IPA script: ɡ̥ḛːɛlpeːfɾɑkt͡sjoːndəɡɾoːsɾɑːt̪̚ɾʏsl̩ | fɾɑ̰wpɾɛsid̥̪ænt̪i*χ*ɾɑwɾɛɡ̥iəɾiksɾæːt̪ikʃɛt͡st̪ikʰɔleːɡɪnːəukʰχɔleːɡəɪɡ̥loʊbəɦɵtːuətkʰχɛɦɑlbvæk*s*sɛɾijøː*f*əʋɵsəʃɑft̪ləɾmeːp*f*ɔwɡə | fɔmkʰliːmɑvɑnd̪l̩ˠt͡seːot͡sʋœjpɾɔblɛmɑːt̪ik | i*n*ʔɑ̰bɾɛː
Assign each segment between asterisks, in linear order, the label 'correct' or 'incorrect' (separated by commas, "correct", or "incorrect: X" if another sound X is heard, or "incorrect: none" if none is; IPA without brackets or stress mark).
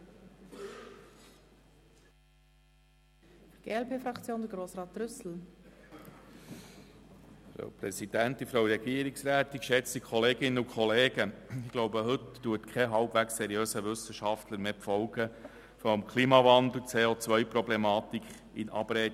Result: incorrect: f, correct, incorrect: s, correct, correct